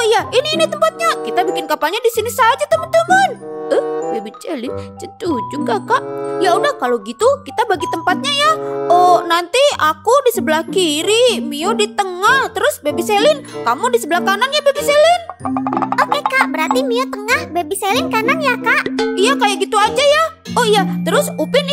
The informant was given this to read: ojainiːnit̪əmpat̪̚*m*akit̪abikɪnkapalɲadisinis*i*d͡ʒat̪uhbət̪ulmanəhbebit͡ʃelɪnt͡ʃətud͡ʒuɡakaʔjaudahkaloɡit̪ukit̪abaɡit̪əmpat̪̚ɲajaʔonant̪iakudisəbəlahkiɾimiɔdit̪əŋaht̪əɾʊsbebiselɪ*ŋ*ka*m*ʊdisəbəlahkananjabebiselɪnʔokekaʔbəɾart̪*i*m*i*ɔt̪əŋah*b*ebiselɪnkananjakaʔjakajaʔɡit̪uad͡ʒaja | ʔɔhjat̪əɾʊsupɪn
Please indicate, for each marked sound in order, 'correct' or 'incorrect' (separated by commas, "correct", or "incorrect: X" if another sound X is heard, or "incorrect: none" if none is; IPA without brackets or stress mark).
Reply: incorrect: ɲ, incorrect: a, incorrect: n, correct, correct, correct, correct